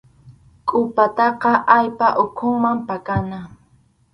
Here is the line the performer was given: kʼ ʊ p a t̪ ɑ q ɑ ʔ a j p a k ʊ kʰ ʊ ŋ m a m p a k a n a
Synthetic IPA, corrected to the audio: kʼ ʊ p a t̪ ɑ q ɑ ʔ a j p a ʔ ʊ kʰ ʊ ŋ m a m p a k a n a